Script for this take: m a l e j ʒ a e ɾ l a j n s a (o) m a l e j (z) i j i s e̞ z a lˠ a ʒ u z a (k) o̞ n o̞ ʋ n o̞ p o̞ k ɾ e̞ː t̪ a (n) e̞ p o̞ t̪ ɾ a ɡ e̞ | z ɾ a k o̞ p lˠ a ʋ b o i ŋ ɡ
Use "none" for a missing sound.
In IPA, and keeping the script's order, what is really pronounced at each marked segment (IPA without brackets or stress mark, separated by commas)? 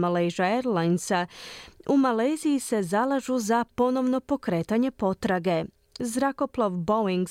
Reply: u, z, p, ɲ